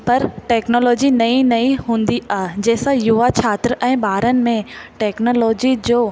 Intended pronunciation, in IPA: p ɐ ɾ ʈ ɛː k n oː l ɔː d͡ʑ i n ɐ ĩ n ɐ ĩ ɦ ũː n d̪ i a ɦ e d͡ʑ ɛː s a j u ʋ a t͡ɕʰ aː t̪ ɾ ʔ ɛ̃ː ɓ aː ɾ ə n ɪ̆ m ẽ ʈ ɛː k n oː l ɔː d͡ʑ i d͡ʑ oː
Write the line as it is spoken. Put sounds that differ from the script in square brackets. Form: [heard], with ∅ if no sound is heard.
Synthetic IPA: p ɐ ɾ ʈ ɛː k n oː l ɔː d͡ʑ i n ɐ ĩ n ɐ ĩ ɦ ũː n d̪ i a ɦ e d͡ʑ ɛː s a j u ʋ a t͡ɕʰ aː t̪ ɾ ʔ ɛ̃ː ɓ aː ɾ ə n ɪ̆ m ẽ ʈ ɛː k n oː l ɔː d͡ʑ i d͡ʑ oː